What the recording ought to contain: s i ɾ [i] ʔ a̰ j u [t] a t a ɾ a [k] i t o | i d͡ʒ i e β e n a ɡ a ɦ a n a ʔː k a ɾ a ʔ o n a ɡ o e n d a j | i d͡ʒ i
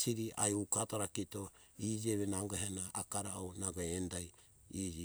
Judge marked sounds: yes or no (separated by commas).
yes, no, yes